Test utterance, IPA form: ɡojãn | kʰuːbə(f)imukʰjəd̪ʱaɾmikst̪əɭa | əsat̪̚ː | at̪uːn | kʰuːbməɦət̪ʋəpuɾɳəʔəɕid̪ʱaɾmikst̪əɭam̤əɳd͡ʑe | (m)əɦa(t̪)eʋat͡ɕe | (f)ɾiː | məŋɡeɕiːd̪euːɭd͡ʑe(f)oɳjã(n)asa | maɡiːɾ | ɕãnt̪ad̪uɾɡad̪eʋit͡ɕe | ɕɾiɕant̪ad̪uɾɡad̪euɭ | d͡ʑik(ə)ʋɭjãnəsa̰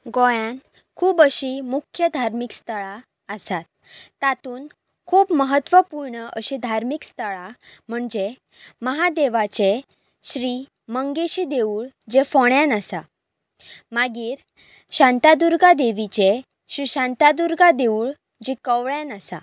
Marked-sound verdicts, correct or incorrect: incorrect, correct, incorrect, incorrect, correct, correct, correct

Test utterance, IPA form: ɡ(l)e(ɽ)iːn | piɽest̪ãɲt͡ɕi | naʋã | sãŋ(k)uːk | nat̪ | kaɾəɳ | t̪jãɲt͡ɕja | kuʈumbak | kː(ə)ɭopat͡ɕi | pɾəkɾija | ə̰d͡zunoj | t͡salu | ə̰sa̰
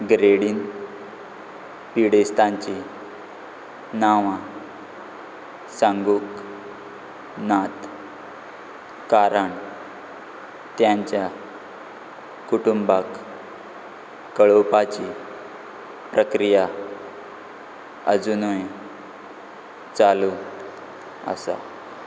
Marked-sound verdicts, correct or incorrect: incorrect, correct, incorrect, correct

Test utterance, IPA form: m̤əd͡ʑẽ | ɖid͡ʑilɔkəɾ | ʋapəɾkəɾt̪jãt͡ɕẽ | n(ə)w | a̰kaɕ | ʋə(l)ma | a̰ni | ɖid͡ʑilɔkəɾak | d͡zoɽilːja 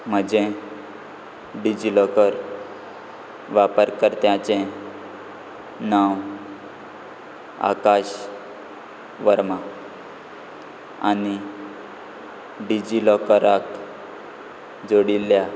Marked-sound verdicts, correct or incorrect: incorrect, incorrect

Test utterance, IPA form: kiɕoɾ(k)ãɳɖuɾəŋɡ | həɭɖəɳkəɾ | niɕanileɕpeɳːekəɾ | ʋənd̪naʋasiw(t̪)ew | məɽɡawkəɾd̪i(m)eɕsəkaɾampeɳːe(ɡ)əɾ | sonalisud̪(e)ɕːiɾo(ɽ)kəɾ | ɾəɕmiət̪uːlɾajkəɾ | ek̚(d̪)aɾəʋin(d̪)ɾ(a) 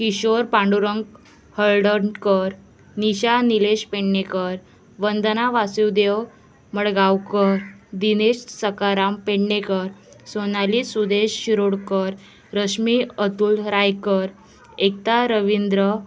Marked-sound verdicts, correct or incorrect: incorrect, incorrect, incorrect, incorrect, correct, correct, incorrect, correct, incorrect

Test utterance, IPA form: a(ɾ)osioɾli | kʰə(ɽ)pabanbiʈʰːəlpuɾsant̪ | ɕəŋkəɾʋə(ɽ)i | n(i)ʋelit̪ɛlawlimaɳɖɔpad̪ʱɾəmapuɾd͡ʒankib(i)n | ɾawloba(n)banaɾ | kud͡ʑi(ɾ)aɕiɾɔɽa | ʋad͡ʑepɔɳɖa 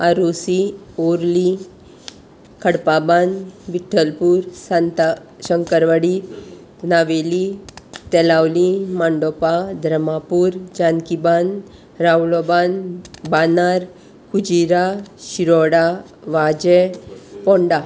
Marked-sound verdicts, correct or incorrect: correct, correct, correct, incorrect, incorrect, correct, correct

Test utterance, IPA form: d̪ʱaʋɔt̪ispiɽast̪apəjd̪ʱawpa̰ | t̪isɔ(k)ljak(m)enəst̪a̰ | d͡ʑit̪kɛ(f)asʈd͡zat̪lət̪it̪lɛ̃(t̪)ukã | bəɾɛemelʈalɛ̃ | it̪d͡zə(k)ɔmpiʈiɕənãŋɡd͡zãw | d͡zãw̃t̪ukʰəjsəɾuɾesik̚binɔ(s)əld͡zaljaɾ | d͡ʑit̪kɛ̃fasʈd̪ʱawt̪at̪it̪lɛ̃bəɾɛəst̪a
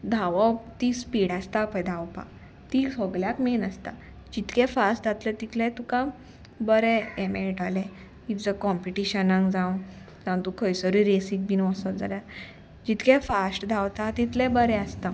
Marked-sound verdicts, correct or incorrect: incorrect, correct, correct, correct, correct, correct

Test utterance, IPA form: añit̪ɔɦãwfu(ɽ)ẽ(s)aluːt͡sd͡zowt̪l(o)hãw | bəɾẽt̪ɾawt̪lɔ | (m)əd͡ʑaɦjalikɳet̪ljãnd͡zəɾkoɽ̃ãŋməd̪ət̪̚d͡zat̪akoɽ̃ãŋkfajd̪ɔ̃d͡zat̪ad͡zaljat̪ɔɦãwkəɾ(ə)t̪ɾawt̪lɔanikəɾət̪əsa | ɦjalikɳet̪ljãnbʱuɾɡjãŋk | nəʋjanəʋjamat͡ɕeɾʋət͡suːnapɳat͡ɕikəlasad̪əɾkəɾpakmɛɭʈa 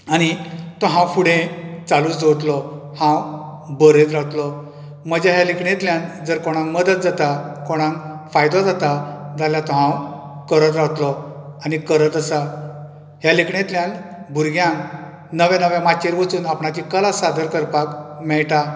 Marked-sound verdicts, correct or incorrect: correct, incorrect, incorrect, correct, correct

